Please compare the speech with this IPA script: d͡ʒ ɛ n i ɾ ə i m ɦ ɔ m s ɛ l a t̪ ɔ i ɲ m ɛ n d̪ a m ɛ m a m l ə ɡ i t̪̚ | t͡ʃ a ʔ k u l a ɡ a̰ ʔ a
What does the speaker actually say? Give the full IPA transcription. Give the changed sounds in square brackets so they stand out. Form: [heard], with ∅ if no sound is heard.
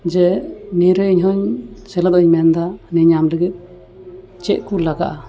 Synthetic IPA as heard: d͡ʒ ɛ n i ɾ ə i [ɲ] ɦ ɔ [ɲ] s ɛ l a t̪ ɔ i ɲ m ɛ n d̪ a [n] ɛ [ɲ] a m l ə ɡ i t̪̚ | t͡ʃ [ɛ] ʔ k u l a ɡ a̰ ʔ a

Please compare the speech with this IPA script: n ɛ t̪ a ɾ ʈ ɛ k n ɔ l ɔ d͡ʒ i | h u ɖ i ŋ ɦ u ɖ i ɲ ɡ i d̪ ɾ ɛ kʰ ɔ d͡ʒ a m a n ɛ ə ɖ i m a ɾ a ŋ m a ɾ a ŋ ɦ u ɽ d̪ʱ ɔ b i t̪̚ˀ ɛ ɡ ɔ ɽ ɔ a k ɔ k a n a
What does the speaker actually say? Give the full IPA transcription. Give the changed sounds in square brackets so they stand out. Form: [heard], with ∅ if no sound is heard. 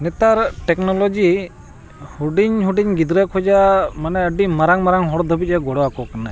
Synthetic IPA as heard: n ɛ t̪ a ɾ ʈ ɛ k n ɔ l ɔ d͡ʒ i | h u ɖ i [ɲ] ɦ u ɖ i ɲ ɡ i d̪ ɾ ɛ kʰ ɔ d͡ʒ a m a n ɛ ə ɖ i m a ɾ a ŋ m a ɾ a ŋ ɦ [ɔ] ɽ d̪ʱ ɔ b i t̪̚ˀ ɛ ɡ ɔ ɽ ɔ a k ɔ k a n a

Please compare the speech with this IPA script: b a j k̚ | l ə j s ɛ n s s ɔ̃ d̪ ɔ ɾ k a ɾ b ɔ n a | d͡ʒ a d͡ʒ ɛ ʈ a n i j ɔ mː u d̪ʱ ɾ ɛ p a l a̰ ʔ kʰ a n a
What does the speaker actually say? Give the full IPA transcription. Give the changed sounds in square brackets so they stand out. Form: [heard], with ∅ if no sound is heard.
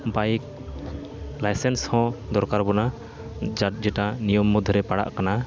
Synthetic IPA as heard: b a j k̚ | l [a] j s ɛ n s [h] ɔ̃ d̪ ɔ ɾ k a ɾ b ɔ n a | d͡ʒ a d͡ʒ ɛ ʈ a n i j ɔ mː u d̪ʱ ɾ ɛ p a [ɽ] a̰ ʔ [k] a n a

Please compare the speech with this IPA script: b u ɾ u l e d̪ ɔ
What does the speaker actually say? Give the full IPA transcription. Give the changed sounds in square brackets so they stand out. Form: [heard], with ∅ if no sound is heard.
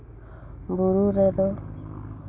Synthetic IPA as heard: b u ɾ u [ɾ] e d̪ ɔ

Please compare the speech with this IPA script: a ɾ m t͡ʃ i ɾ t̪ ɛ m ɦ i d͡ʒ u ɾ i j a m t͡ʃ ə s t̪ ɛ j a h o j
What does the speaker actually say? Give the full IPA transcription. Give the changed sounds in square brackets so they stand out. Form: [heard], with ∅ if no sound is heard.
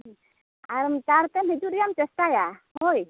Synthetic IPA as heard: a ɾ m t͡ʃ [a] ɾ t̪ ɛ m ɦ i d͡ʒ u ɾ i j a m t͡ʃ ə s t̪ [a] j a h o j

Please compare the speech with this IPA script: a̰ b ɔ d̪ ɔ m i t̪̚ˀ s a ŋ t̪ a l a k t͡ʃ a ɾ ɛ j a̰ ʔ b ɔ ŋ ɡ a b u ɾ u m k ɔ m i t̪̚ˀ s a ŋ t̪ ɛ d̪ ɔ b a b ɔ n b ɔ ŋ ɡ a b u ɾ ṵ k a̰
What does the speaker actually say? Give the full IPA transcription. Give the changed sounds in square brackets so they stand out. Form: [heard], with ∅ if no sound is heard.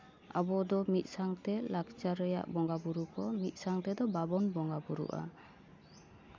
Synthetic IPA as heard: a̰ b ɔ d̪ ɔ m i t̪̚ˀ s a ŋ t̪ [ɛ] l a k t͡ʃ a ɾ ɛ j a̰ ʔ b ɔ ŋ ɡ a b u ɾ u [∅] k ɔ m i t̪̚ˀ s a ŋ t̪ ɛ d̪ ɔ b a b ɔ n b ɔ ŋ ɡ a b u ɾ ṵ [ʔ] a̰

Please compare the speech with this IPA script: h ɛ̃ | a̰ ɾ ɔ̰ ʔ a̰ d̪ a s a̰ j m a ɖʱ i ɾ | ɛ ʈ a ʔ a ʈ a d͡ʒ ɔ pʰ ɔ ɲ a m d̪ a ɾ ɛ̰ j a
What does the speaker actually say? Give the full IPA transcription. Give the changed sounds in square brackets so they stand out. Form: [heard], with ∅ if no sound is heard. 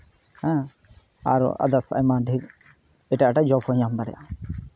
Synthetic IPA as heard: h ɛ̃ | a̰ ɾ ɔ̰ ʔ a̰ d̪ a s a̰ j m a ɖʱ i ɾ | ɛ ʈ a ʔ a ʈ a d͡ʒ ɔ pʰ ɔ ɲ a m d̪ a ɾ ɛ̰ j a

